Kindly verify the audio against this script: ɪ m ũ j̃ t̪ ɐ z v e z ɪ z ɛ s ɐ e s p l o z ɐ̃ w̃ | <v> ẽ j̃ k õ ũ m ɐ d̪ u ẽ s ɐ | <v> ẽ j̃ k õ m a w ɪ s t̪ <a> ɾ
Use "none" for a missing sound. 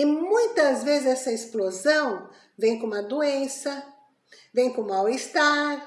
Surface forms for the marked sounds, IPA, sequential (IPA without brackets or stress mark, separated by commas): v, v, a